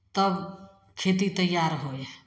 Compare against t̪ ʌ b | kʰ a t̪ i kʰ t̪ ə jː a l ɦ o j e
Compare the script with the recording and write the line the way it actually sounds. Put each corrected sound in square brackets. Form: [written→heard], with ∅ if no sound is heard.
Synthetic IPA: t̪ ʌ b | kʰ [a→e] t̪ i [kʰ→∅] t̪ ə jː a [l→ɾ] ɦ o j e